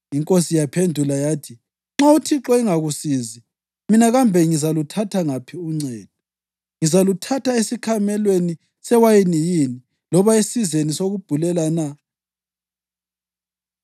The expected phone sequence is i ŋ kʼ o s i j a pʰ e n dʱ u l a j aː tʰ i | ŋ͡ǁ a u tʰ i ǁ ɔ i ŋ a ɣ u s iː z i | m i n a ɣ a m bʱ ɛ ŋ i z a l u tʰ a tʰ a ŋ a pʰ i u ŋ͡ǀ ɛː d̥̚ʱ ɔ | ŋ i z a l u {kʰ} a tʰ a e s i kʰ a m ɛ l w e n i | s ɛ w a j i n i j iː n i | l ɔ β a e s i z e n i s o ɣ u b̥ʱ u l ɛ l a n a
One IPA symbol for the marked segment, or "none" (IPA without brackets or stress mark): tʰ